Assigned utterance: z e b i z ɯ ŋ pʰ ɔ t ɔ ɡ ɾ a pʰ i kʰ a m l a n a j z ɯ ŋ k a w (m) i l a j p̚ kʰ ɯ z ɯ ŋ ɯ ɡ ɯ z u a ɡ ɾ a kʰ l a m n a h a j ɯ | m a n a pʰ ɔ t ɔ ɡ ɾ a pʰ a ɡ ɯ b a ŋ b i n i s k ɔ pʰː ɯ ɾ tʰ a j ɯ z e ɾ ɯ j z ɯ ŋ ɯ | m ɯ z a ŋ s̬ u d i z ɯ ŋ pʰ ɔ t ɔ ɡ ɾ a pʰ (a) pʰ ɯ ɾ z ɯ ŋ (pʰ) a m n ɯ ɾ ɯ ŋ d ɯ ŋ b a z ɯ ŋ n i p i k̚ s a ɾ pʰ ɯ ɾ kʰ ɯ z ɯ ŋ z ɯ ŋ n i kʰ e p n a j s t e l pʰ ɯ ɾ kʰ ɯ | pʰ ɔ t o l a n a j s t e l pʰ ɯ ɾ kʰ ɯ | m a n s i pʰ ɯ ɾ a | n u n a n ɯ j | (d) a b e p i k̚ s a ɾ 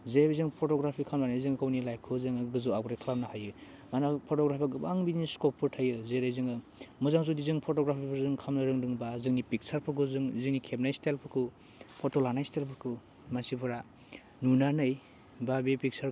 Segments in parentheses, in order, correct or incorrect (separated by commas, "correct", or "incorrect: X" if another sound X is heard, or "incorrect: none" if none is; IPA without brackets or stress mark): incorrect: n, incorrect: i, incorrect: kʰ, incorrect: b